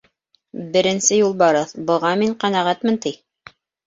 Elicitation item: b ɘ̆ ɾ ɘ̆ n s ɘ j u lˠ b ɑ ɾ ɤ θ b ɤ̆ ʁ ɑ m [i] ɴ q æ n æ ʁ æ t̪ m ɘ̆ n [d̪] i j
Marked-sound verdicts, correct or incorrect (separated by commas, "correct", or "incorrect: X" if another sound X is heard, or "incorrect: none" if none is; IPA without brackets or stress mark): correct, incorrect: t̪